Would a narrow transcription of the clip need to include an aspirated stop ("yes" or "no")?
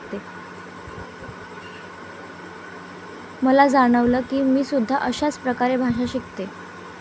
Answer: no